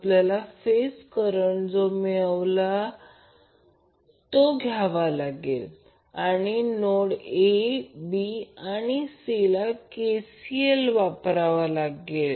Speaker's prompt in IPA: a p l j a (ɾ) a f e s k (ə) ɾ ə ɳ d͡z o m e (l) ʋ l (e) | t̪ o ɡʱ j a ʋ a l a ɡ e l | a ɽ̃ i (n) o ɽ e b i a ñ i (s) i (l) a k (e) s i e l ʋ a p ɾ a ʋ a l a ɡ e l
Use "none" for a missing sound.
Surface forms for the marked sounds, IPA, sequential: l, ə, ɭ, a, n, s, l, e

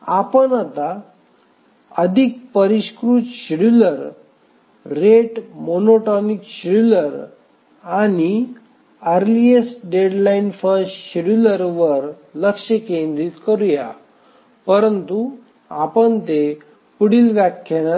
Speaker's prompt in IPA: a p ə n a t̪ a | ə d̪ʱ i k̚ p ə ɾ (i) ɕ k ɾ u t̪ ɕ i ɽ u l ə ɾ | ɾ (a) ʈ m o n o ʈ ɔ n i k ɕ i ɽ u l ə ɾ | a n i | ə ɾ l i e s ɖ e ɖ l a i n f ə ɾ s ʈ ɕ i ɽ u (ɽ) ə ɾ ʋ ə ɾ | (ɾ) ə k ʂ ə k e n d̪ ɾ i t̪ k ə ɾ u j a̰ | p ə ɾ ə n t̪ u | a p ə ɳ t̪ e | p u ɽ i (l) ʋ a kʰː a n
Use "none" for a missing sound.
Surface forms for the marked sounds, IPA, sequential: i, e, l, l, l

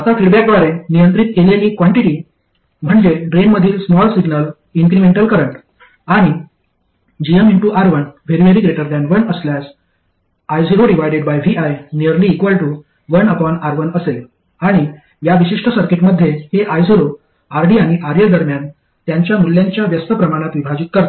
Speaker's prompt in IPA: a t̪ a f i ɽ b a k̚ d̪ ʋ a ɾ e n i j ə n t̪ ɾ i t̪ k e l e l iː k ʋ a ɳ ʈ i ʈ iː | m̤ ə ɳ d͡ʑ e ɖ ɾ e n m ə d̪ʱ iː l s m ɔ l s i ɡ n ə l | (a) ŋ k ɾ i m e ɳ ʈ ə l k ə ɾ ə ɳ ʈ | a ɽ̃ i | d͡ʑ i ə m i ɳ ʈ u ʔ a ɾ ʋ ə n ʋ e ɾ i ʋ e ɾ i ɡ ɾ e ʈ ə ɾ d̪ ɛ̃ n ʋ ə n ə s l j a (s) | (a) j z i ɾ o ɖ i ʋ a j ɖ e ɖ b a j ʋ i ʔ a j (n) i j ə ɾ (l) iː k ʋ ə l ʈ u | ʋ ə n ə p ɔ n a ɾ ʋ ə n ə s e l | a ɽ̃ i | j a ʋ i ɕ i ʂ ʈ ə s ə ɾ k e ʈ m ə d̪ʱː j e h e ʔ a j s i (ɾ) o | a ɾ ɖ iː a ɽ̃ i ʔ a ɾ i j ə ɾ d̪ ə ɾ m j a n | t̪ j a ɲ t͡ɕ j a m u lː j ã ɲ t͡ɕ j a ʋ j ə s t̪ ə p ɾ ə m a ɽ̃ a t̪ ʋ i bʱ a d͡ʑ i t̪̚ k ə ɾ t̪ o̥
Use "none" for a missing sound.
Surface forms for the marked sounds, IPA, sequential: i, s, a, n, l, ɾ

